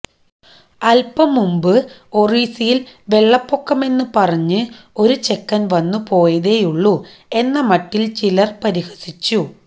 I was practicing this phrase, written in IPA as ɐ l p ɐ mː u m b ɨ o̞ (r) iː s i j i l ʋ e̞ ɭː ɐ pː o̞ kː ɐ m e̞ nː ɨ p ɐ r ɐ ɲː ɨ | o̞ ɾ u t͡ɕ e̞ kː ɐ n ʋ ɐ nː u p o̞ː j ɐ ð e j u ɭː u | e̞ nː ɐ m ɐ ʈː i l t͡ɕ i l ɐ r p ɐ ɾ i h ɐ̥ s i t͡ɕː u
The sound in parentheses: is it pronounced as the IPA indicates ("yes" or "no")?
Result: yes